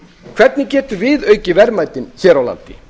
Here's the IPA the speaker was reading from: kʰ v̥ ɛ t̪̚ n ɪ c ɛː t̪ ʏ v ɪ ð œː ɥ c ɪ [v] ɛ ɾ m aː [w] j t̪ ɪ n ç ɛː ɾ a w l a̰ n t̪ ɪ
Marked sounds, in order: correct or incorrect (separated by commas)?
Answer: correct, incorrect